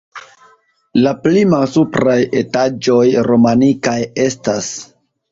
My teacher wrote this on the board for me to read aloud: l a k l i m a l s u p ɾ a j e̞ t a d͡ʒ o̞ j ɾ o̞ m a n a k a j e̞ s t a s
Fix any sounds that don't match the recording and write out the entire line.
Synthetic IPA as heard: l a p l i m a l s u p ɾ a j e̞ t a d͡ʒ o̞ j ɾ o̞ m a n i k a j e̞ s t a s